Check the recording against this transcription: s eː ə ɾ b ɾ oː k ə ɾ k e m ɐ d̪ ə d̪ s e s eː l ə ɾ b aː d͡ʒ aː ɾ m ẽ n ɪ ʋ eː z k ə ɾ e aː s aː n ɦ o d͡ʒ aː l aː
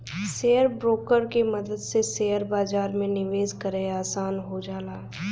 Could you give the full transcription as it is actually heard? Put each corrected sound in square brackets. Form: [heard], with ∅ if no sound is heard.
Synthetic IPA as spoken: s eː ə ɾ b ɾ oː k ə ɾ k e m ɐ d̪ ə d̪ s e s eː [∅] ə ɾ b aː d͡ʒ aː ɾ m ẽ n ɪ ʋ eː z k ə ɾ e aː s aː n ɦ o d͡ʒ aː l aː